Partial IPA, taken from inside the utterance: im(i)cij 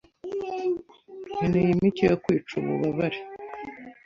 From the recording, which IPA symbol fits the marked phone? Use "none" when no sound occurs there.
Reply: i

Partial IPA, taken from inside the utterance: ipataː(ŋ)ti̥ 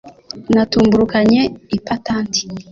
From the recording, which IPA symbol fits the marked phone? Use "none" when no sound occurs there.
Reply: n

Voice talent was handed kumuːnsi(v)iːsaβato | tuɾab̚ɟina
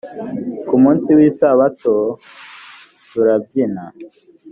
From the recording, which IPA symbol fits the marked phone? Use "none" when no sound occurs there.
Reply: w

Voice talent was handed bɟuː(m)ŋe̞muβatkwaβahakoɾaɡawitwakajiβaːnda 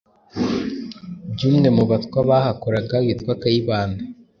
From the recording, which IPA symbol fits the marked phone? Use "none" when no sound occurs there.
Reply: m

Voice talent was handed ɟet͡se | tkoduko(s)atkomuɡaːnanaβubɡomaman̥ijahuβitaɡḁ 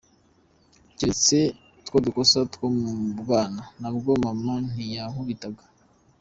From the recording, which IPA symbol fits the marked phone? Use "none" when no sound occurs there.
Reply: s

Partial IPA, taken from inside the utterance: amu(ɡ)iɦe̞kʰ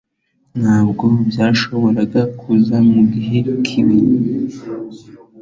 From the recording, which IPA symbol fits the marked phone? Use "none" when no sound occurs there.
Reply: ɡ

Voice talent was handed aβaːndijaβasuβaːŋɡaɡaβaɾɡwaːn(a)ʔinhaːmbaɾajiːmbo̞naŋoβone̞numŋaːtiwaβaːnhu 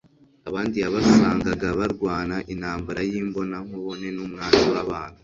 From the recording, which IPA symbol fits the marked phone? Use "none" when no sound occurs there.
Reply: a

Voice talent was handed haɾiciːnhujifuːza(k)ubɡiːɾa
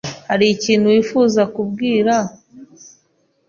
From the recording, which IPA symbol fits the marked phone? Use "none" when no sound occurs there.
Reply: k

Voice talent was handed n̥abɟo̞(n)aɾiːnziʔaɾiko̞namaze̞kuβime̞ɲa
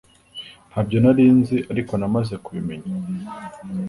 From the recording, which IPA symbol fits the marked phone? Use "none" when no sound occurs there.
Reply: n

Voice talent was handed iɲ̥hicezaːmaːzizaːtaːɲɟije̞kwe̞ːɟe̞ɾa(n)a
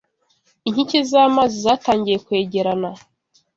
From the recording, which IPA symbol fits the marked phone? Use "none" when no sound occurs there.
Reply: n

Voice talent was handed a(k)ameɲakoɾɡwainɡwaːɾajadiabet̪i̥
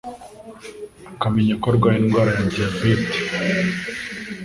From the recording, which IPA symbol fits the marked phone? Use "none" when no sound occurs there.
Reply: k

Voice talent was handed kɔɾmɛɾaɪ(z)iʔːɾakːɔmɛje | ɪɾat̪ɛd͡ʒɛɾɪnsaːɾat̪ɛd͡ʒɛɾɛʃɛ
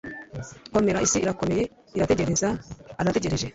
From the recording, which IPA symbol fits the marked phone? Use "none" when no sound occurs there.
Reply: s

